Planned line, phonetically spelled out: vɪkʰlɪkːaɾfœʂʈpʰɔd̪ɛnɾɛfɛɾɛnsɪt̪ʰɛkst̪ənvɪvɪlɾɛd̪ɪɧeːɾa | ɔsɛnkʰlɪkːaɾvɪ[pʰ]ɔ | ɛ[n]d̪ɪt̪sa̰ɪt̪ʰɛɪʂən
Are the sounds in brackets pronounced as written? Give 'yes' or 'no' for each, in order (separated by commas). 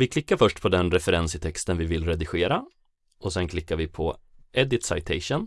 yes, no